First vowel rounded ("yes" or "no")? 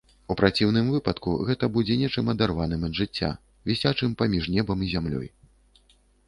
yes